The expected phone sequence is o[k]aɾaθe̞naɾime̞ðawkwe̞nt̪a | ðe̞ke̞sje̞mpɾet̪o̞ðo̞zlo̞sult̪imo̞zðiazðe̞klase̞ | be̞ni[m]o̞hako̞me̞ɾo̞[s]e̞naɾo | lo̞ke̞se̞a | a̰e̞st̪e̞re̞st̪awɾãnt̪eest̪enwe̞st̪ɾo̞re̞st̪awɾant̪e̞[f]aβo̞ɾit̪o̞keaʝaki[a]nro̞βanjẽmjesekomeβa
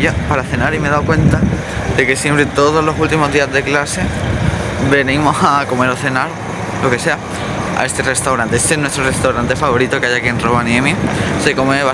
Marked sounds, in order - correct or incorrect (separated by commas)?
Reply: incorrect, correct, incorrect, correct, incorrect